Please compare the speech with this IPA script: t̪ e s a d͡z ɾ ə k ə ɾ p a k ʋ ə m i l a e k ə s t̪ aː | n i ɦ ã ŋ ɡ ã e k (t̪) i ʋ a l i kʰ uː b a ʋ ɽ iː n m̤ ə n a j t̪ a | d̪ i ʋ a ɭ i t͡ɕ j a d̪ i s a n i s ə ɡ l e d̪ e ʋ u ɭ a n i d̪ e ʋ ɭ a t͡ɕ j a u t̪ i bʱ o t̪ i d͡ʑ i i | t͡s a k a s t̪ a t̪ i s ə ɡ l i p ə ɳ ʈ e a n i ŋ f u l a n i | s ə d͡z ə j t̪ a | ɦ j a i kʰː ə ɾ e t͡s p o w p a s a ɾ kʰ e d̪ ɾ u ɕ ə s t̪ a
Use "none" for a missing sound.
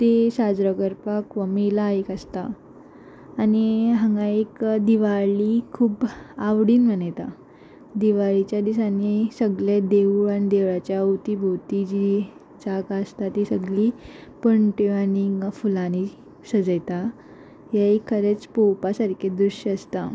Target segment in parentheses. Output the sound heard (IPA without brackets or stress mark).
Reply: d̪